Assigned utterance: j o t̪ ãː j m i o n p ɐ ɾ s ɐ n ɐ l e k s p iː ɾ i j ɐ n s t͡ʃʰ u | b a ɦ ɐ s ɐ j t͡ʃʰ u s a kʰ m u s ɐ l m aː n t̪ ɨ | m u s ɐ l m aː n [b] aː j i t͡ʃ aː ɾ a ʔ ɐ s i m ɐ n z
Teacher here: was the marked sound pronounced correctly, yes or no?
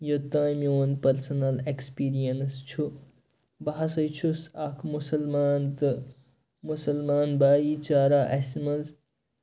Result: yes